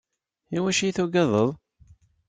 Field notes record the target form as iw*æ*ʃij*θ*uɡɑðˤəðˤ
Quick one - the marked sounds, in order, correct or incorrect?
correct, correct

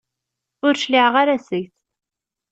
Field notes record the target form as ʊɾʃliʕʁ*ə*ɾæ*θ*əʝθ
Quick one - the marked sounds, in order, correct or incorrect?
incorrect, incorrect

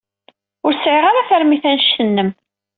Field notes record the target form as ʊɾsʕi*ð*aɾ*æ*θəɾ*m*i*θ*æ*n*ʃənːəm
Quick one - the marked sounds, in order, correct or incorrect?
incorrect, incorrect, correct, correct, correct

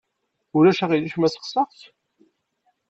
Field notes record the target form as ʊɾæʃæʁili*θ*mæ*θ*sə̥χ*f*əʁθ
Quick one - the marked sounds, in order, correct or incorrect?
incorrect, incorrect, incorrect

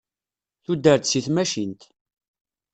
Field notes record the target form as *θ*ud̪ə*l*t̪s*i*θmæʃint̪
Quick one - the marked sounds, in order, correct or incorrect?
correct, incorrect, correct

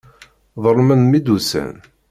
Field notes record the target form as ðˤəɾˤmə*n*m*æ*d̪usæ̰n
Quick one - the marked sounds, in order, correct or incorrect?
correct, incorrect

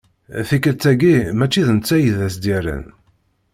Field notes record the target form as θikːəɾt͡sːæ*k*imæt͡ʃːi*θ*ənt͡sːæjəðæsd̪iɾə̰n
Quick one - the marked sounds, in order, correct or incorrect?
incorrect, incorrect

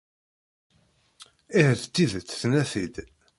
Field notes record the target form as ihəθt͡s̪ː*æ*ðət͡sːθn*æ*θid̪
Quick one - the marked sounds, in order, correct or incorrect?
incorrect, correct

